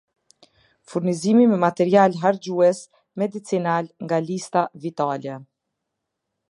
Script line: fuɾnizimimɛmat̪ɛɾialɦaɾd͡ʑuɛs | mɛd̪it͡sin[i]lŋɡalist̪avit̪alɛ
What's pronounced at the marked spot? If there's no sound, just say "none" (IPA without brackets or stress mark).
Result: a